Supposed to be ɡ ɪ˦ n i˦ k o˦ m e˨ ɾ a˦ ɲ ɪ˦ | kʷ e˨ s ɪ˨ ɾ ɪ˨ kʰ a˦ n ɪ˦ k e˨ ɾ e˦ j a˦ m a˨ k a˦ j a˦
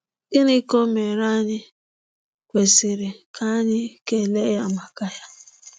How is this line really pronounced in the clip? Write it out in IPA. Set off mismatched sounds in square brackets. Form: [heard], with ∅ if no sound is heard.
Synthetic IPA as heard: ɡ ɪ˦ n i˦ k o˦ m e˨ ɾ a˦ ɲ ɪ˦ | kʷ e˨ s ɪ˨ ɾ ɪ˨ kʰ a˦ [ɲ] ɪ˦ k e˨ [l] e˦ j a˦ m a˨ k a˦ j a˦